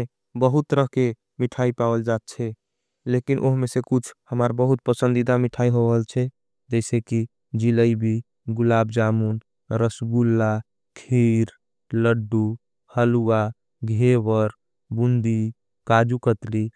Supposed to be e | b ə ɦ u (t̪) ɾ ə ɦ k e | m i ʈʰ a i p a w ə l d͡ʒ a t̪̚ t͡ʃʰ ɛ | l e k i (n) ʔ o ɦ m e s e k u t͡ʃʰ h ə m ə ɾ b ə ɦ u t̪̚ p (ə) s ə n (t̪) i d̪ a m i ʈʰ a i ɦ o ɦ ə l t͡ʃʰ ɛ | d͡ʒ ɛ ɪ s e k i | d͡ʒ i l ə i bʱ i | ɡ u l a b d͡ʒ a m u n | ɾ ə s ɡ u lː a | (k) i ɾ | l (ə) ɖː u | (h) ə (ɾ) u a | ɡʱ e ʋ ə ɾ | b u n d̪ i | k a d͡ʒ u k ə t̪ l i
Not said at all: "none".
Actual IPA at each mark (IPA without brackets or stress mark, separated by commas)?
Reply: t̪, n, ə, d̪, kʰ, ə, h, l